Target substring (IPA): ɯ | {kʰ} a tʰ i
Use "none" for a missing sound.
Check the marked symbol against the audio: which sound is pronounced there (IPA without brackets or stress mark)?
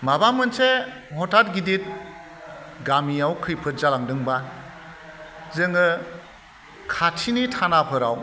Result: kʰ